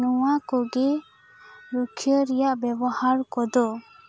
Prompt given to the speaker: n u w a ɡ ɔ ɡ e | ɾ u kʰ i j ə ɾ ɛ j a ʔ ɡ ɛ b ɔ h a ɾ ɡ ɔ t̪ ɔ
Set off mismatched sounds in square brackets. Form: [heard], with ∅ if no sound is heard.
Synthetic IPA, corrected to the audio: n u w a [k] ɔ ɡ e | ɾ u kʰ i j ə ɾ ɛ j a ʔ [b] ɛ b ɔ h a ɾ [k] ɔ [d̪] ɔ